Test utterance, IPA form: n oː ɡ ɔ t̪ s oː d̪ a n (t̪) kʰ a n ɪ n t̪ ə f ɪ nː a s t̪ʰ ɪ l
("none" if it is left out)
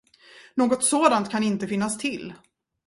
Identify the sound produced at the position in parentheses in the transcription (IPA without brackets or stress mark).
t̪